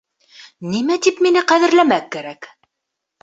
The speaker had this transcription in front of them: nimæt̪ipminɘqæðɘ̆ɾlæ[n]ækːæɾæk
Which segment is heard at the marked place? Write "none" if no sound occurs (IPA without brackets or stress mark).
m